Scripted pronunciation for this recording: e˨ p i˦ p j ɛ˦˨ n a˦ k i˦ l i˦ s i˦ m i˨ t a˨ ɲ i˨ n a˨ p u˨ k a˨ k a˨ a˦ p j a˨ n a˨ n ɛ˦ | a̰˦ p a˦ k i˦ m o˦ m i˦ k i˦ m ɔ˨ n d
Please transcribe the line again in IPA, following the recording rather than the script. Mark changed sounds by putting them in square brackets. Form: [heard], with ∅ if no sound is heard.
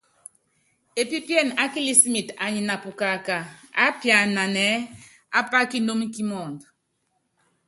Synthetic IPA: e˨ p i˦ p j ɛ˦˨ n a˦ k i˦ l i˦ s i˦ m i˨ t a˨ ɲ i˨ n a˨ p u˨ k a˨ k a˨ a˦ p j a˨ n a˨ n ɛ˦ | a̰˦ p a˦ k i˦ [n] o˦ m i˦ k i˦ m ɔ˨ n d